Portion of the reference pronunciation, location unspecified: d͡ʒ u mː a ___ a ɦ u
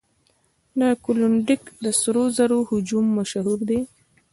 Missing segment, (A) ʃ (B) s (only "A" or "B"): A